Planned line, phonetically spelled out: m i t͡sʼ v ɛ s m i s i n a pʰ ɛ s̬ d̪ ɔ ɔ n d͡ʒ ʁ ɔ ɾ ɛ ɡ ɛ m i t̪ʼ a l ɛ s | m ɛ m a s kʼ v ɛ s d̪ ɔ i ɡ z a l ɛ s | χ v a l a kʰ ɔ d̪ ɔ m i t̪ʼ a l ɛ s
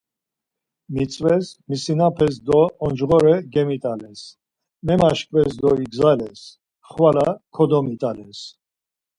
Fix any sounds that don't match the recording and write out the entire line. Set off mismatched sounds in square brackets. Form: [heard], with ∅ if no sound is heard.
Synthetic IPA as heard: m i t͡sʼ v ɛ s m i s i n a pʰ ɛ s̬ d̪ ɔ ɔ n d͡ʒ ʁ ɔ ɾ ɛ ɡ ɛ m i t̪ʼ a l ɛ s | m ɛ m a [ʃ] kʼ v ɛ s d̪ ɔ i ɡ z a l ɛ s | χ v a l a kʰ ɔ d̪ ɔ m i t̪ʼ a l ɛ s